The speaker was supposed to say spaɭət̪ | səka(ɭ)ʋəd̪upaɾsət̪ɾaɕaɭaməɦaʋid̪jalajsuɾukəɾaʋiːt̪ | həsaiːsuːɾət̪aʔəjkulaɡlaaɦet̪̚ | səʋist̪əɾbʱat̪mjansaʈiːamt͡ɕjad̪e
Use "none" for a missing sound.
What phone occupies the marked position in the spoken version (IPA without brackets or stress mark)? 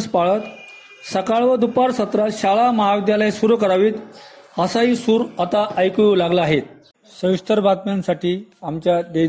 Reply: ɭ